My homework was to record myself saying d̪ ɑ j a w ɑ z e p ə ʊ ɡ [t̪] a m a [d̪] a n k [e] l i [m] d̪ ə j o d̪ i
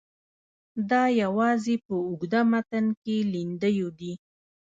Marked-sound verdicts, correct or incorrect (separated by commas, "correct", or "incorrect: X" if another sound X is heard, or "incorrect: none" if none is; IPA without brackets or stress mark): incorrect: d̪, incorrect: t̪, correct, incorrect: n